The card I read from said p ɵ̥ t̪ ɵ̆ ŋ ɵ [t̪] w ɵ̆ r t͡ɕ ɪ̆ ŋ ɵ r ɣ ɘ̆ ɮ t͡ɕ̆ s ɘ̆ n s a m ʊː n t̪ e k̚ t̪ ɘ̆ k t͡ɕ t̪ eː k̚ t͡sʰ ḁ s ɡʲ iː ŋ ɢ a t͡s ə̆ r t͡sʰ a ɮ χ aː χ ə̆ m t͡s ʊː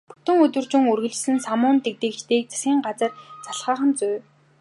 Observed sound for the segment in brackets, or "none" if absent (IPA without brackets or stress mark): t̪